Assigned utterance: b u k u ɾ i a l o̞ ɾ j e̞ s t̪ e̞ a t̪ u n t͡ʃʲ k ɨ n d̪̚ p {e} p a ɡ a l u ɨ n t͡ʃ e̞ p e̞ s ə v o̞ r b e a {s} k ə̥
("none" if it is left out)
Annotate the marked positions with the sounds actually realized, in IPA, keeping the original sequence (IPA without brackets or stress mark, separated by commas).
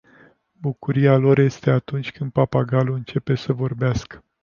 a, s